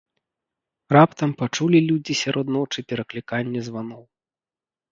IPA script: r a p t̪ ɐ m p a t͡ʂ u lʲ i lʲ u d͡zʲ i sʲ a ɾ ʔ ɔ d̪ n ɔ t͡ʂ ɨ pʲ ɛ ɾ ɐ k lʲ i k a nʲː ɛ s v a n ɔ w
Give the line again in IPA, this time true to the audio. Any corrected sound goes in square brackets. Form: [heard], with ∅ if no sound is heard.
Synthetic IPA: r a p t̪ ɐ m p a t͡ʂ u lʲ i lʲ u d͡zʲ i sʲ a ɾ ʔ ɔ d̪ n ɔ t͡ʂ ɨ pʲ ɛ ɾ ɐ k lʲ i k a nʲː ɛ [z] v a n ɔ w

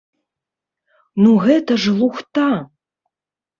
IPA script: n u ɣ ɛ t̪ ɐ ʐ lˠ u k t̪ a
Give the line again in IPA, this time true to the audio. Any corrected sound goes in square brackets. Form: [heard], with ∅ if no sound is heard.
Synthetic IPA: n u ɣ ɛ t̪ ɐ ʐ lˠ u [x] t̪ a

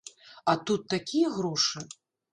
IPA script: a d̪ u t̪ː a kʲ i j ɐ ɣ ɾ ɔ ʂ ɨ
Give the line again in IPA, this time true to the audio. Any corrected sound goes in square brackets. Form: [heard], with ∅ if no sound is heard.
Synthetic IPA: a [t̪] u t̪ː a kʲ i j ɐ ɣ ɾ ɔ ʂ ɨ

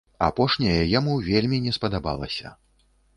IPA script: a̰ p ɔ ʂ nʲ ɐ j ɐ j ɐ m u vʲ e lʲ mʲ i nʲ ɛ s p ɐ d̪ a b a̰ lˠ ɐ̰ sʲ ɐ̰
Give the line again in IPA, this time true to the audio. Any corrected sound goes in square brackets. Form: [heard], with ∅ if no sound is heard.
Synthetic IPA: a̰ p ɔ ʂ nʲ ɐ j ɐ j [a] m u vʲ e lʲ mʲ i nʲ ɛ s p ɐ d̪ a b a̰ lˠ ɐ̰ sʲ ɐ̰

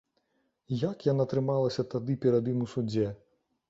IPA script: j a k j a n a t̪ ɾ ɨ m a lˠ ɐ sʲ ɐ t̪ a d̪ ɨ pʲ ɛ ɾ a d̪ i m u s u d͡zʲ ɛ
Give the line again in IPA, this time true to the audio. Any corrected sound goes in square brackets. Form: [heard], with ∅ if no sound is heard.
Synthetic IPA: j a k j a n a t̪ ɾ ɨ m a lˠ ɐ sʲ ɐ t̪ a d̪ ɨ pʲ ɛ ɾ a d̪ i m u s u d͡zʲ ɛ

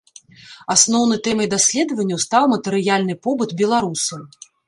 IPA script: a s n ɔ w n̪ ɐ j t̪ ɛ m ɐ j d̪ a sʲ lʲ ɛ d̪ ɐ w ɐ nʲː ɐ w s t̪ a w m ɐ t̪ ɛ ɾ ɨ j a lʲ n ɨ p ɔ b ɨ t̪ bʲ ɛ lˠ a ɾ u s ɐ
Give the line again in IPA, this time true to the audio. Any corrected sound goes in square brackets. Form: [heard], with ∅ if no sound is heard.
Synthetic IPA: a s n ɔ w n̪ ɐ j t̪ ɛ m ɐ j d̪ a sʲ lʲ ɛ d̪ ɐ [v] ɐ nʲː ɐ w s t̪ a w m ɐ t̪ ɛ ɾ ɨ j a lʲ n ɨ p ɔ b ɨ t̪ bʲ ɛ lˠ a ɾ u s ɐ

